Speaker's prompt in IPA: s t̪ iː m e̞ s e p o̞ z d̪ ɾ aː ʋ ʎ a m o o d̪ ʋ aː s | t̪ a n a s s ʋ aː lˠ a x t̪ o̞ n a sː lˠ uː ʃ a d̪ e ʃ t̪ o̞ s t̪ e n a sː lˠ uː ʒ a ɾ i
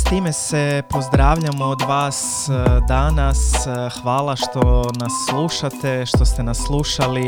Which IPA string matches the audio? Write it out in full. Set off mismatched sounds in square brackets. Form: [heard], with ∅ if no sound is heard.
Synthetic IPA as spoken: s t̪ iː m e̞ s e p o̞ z d̪ ɾ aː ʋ ʎ a m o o d̪ ʋ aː s | [d̪] a n a s [x] ʋ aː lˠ a [ʃ] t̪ o̞ n a sː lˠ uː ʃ a [t̪] e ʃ t̪ o̞ s t̪ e n a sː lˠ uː [ʃ] a [l] i